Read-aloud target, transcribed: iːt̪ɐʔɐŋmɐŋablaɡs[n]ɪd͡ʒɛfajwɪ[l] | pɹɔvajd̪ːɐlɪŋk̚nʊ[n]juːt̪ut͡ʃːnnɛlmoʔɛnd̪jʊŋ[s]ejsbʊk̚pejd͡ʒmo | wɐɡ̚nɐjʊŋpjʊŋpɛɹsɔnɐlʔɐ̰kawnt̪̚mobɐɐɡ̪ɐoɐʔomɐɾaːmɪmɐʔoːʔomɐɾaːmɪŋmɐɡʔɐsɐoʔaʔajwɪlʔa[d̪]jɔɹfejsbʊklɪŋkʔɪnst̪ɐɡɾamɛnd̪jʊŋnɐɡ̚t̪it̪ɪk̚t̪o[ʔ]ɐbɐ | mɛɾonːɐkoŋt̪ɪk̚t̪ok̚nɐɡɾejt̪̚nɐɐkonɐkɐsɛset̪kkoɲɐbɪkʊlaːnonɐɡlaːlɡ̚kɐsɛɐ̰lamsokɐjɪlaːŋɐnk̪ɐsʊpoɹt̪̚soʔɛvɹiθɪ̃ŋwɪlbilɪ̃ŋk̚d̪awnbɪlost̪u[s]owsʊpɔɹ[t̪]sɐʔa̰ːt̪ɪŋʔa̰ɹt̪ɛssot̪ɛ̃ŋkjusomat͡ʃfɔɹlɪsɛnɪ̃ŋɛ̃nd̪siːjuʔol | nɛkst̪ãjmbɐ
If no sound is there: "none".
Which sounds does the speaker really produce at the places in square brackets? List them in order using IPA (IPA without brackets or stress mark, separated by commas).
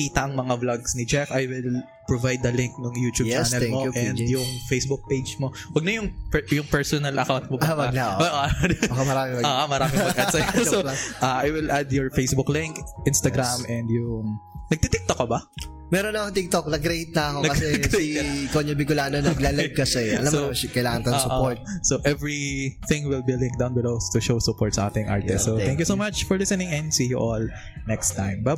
n, l, ŋ, f, d̪, k, ʃ, t̪